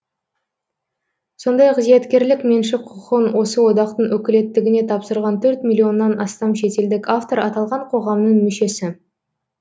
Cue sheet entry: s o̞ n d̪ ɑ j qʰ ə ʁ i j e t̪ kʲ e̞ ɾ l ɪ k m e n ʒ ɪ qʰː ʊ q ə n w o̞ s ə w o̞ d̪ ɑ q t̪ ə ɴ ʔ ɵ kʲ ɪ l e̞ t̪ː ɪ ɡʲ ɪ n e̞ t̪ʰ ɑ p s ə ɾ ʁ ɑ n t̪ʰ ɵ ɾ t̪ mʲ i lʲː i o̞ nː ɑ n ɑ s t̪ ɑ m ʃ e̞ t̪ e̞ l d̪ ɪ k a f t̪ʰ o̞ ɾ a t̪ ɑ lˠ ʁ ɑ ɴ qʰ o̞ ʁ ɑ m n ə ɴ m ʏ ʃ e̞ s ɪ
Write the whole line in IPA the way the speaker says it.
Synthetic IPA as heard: s o̞ n d̪ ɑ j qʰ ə z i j e t̪ kʲ e̞ ɾ l ɪ k m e n ʃ ɪ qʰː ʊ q ə n w o̞ s ə w o̞ d̪ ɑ q t̪ ə ɴ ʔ ɵ kʲ ɪ l e̞ t̪ː ɪ ɡʲ ɪ n e̞ t̪ʰ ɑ p s ə ɾ ʁ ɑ n t̪ʰ ɵ ɾ t̪ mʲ i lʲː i o̞ nː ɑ n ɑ s t̪ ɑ m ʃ e̞ t̪ e̞ l d̪ ɪ k a f t̪ o̞ ɾ ɑ t̪ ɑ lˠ ʁ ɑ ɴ qʰ o̞ ʁ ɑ m n ə ɴ m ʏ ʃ e̞ s ɪ